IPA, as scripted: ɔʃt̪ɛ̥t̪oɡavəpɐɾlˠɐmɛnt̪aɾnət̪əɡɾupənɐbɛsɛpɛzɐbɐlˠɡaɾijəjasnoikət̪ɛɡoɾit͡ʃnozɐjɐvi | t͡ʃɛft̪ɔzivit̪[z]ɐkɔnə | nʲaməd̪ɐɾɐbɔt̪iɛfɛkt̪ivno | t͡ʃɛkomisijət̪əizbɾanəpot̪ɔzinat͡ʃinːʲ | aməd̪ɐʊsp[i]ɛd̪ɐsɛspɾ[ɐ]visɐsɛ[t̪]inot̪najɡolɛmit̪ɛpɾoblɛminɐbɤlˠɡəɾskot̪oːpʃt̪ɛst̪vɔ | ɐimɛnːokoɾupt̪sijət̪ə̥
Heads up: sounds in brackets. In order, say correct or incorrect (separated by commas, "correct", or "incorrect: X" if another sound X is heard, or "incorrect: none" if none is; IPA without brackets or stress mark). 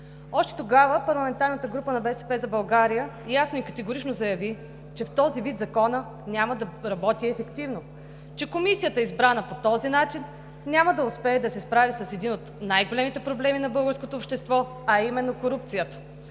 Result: correct, incorrect: ɛ, incorrect: a, incorrect: d̪